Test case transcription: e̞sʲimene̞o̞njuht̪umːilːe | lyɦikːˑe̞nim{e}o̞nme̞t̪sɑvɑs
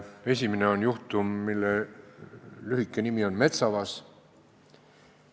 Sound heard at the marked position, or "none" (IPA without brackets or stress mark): i